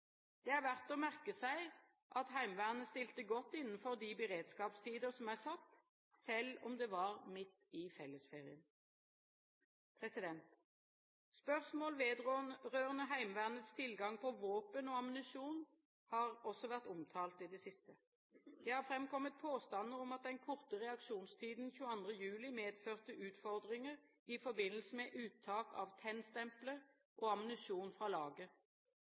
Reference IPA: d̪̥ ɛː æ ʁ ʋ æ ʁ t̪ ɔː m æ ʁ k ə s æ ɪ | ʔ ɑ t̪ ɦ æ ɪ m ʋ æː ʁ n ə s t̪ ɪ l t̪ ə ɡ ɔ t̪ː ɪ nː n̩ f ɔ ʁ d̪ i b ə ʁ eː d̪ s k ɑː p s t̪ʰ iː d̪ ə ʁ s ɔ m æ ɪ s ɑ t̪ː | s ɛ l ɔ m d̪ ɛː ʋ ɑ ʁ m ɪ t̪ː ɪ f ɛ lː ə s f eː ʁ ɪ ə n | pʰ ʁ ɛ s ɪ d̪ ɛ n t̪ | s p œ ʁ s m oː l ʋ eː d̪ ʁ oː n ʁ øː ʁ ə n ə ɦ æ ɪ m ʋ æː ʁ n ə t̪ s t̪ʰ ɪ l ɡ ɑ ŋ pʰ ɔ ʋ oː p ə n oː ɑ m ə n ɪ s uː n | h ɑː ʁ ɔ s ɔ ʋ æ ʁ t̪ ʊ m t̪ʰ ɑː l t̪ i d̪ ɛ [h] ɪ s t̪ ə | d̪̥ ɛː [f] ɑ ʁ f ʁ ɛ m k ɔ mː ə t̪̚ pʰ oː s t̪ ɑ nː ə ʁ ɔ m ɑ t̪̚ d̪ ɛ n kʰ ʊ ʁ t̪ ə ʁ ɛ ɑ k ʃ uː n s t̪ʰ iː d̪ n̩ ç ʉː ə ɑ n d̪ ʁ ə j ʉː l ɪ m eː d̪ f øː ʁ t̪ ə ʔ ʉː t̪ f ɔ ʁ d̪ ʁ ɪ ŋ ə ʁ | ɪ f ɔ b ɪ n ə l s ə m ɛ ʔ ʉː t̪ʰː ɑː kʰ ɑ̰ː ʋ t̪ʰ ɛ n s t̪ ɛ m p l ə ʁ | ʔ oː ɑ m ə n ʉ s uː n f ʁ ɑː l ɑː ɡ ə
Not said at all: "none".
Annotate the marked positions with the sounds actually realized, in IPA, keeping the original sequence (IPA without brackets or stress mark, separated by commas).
s, h